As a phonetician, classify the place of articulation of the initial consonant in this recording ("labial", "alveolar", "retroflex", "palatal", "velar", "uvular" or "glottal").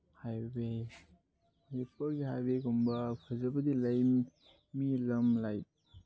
glottal